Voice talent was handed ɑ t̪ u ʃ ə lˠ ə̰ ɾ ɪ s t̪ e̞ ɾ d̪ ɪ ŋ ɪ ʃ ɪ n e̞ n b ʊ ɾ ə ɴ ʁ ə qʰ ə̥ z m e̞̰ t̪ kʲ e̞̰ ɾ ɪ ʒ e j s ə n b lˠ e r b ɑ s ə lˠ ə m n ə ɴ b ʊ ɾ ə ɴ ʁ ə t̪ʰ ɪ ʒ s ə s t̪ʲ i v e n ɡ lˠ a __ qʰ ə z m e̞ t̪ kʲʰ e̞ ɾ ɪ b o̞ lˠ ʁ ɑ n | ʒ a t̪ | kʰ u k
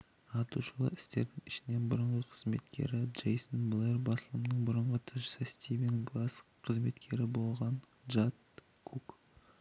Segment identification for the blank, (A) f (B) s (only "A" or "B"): B